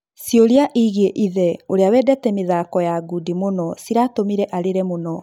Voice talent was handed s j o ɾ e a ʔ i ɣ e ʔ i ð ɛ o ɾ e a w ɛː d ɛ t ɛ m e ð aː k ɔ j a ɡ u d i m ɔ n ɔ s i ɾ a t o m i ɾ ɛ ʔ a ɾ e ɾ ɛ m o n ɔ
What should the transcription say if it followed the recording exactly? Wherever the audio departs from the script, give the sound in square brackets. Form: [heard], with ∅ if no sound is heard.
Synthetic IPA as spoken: s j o ɾ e a ʔ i ɣ e ʔ i ð ɛ o ɾ e a w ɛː d ɛ t ɛ m e ð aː k ɔ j a ɡ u d i m [o] n ɔ s i ɾ a t o m i ɾ ɛ ʔ a ɾ e ɾ ɛ m o n ɔ